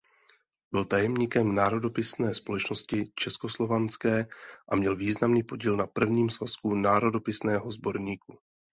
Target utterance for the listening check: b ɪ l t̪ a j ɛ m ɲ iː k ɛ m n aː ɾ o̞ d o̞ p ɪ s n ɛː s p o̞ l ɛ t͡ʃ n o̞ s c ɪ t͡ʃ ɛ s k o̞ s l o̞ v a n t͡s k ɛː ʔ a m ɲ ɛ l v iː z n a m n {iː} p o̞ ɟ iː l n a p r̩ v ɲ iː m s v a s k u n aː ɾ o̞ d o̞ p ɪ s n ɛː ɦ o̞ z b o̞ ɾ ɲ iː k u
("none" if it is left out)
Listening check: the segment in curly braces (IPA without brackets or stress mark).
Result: iː